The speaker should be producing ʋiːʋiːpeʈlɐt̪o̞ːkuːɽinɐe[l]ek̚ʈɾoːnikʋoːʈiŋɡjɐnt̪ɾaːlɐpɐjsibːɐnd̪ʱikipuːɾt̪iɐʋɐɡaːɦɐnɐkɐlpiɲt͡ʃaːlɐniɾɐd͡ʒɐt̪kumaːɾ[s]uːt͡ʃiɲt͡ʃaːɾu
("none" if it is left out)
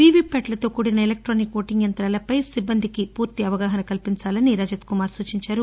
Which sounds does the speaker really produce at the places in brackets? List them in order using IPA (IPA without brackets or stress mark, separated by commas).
l, s